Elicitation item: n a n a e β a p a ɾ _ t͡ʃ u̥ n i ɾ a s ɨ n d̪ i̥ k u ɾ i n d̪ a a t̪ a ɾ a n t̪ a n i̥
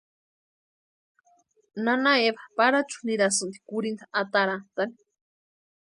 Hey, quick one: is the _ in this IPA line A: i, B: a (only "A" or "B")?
B